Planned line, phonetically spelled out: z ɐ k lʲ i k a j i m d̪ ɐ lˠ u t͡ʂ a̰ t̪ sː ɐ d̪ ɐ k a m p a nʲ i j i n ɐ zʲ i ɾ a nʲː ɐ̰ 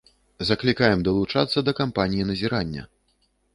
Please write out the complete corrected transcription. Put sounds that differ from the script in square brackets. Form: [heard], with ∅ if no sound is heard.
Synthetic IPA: z ɐ k lʲ i k a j [ɛ] m d̪ ɐ lˠ u t͡ʂ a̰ t̪ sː ɐ d̪ ɐ k a m p a nʲ i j i n ɐ zʲ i ɾ a nʲː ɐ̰